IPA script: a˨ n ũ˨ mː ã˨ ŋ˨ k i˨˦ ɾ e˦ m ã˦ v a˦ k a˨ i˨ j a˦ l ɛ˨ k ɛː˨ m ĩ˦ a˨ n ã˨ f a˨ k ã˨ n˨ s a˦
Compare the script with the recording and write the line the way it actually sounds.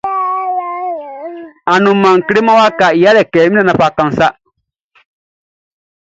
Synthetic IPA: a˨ n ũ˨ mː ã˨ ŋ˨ k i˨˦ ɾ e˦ m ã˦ w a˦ k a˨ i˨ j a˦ l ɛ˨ k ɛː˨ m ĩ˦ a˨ n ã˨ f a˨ k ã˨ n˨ s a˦

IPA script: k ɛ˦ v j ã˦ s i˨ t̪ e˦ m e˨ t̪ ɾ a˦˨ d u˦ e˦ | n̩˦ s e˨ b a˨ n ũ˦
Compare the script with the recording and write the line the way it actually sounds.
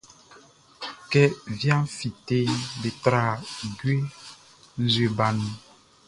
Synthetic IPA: k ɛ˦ v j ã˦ f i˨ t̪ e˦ b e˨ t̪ ɾ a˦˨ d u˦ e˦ | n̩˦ z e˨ b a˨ n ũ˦

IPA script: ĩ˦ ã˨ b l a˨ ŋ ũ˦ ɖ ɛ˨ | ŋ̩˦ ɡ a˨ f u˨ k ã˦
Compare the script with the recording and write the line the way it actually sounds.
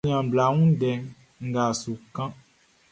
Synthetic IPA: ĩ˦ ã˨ b l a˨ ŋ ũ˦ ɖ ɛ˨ | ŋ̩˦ ɡ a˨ s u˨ k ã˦

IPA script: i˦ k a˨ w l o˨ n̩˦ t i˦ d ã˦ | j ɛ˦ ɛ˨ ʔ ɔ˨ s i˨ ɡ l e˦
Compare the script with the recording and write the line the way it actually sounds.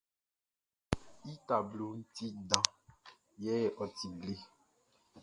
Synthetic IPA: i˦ t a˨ b l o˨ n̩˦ t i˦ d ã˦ | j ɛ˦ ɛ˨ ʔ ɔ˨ t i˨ ɡ l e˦

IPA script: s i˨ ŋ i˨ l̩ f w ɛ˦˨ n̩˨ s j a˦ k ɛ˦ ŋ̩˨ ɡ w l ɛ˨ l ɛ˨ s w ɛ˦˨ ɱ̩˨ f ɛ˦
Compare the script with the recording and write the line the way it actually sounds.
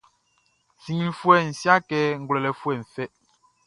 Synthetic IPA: s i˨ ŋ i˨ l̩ f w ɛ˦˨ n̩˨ s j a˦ k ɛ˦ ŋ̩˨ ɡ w l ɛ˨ l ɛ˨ f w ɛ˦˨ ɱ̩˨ f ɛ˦

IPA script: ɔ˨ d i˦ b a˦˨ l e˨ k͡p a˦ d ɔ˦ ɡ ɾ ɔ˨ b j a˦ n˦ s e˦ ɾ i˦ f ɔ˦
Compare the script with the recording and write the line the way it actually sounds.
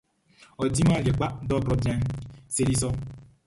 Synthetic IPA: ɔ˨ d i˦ m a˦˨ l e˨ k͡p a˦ d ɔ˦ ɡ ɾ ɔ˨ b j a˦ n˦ s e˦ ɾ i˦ s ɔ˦

